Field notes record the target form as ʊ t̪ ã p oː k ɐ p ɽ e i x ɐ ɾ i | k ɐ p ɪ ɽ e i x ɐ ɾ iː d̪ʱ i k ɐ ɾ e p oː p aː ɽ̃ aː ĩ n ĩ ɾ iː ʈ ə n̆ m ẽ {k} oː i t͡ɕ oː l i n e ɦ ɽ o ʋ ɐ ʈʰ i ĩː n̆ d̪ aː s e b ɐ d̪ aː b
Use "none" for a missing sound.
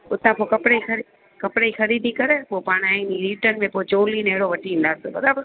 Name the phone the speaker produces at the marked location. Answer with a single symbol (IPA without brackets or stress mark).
p